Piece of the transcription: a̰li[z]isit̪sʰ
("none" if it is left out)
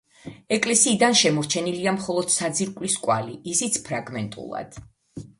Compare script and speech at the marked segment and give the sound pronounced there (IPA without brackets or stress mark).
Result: none